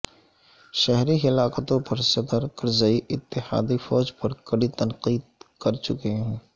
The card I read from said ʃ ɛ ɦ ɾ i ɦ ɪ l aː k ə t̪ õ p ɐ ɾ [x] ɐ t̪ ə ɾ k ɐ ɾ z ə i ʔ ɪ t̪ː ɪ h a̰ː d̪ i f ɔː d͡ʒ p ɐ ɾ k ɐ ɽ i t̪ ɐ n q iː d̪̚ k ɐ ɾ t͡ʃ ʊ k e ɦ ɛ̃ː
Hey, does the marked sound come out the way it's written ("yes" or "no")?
no